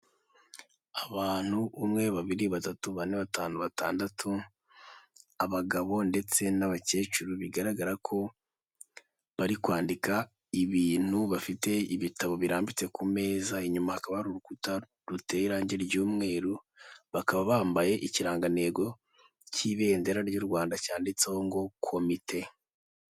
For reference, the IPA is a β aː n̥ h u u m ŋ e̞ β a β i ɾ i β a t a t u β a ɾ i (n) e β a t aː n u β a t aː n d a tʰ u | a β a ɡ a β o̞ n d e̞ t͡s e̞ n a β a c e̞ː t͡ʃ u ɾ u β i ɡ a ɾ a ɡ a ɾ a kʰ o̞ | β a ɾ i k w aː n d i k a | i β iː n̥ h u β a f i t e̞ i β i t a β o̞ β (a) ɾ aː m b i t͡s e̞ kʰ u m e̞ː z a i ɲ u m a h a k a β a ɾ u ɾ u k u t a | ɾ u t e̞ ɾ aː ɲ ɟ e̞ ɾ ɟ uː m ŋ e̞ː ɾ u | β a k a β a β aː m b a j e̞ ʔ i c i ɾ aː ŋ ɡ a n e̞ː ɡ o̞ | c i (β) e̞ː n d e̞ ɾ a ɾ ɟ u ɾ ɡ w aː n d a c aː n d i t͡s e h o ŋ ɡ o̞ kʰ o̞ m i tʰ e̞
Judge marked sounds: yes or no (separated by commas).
yes, no, yes